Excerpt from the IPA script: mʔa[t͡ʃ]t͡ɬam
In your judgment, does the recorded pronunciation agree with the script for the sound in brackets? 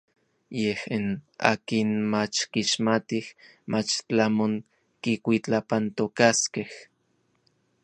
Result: yes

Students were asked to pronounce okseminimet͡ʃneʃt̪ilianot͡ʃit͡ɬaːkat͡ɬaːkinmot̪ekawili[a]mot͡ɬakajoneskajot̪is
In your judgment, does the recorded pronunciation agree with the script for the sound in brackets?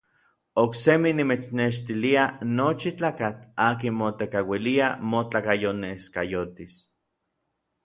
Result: yes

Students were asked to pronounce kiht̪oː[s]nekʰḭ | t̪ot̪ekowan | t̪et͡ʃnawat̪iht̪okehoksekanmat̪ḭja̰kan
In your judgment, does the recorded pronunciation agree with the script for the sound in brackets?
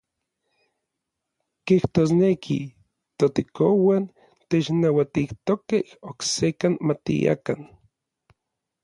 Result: yes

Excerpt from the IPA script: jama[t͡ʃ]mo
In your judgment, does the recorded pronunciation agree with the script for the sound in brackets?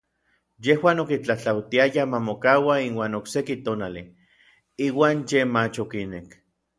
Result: no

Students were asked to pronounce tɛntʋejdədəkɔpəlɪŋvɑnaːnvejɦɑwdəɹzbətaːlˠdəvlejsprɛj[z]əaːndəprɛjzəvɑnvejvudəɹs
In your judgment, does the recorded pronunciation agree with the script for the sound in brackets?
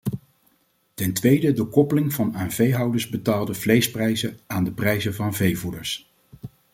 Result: yes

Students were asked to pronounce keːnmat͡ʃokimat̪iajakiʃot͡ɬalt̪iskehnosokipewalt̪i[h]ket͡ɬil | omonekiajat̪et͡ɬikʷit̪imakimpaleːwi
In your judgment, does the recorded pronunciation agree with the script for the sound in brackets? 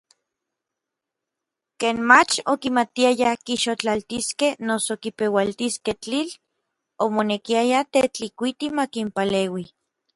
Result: no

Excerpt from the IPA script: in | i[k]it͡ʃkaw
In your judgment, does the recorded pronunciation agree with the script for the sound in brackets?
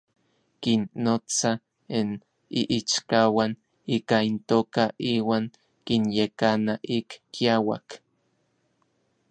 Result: no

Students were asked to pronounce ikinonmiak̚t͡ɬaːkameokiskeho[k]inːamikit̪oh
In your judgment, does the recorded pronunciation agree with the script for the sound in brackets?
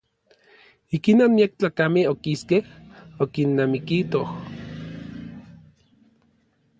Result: yes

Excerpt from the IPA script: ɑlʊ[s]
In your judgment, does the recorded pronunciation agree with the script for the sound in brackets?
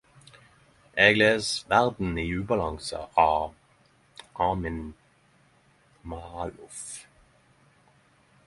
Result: no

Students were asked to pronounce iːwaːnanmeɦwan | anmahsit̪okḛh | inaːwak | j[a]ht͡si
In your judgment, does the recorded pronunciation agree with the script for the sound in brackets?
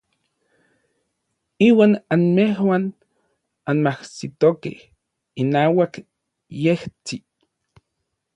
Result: no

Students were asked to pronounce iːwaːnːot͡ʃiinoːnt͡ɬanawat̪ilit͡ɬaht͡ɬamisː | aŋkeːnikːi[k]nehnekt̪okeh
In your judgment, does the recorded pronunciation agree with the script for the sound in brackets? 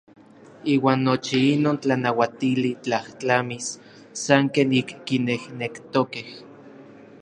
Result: no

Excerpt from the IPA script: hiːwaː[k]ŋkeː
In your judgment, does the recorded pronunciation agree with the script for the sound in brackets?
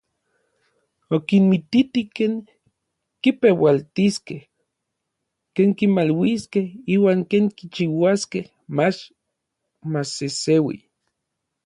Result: no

